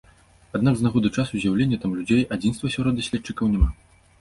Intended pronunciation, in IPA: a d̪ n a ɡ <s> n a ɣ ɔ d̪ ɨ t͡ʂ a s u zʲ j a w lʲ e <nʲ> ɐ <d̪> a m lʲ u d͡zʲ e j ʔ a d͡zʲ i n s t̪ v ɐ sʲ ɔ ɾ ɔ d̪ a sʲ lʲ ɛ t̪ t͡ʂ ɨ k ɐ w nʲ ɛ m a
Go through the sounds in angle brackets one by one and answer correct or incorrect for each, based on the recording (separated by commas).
incorrect, incorrect, incorrect